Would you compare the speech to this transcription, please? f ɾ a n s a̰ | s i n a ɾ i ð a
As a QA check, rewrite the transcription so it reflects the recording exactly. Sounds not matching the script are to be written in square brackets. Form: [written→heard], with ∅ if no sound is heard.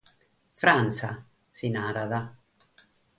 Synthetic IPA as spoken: f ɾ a n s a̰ | s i n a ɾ [i→a] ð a